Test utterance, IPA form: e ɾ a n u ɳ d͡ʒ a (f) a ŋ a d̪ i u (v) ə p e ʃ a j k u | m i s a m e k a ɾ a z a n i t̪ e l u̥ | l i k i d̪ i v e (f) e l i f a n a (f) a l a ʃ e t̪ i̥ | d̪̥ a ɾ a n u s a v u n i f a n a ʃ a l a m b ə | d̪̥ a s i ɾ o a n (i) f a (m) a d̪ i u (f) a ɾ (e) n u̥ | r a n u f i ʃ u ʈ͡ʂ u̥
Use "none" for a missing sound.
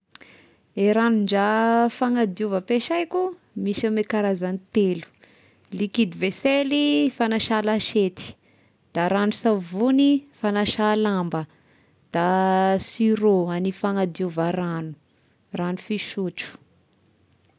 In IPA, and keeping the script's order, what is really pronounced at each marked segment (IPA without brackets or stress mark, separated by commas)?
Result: f, v, s, ʃ, i, ŋ, v, a